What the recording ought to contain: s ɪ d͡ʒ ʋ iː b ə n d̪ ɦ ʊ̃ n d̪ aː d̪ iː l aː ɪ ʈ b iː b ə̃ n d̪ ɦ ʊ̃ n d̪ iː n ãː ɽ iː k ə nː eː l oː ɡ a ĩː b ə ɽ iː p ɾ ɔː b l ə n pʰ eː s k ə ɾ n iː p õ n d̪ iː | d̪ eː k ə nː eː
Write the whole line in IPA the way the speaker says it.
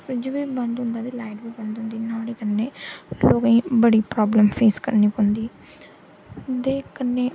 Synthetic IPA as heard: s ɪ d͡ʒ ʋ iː b ə n d̪ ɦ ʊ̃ n d̪ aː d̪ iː l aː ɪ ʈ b iː b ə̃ n d̪ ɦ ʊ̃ n d̪ iː n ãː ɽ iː k ə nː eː l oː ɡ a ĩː b ə ɽ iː p ɾ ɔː b l ə m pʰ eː s k ə ɾ n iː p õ n d̪ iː | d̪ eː k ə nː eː